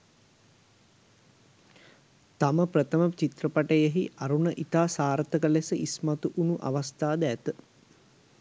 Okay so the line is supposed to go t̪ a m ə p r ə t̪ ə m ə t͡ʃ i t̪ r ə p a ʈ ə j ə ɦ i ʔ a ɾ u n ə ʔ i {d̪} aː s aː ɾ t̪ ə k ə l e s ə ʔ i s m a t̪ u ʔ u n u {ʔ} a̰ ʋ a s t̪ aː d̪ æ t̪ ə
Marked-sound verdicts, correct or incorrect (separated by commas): incorrect, correct